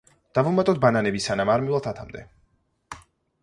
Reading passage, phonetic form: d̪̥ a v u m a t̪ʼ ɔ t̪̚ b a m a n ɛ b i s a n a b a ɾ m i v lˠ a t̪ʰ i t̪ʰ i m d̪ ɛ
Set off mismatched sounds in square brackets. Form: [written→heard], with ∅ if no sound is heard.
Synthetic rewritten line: d̪̥ a v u m a t̪ʼ ɔ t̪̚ b a [m→n] a n ɛ b i s a n a [b→m] a ɾ m i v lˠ a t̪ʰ [i→a] t̪ʰ [i→a] m d̪ ɛ